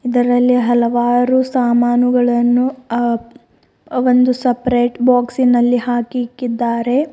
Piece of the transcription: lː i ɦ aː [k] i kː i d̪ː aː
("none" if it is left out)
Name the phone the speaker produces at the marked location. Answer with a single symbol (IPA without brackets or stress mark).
k